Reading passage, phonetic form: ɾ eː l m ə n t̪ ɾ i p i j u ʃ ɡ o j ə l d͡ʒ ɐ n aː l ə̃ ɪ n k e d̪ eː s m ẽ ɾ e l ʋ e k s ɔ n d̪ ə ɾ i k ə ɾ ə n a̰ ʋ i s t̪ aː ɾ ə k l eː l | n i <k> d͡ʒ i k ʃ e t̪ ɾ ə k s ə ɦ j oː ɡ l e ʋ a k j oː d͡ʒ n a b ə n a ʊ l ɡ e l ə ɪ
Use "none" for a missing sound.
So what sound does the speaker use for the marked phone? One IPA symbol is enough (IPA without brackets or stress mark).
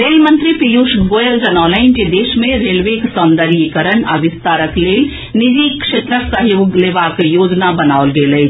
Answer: none